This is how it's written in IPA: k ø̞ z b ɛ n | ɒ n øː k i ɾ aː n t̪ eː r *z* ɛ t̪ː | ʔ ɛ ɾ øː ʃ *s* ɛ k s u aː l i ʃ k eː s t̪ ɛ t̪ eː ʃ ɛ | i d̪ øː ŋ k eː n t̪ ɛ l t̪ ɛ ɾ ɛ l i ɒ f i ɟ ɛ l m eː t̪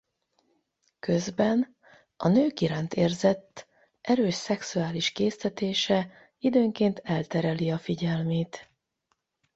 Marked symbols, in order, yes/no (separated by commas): yes, yes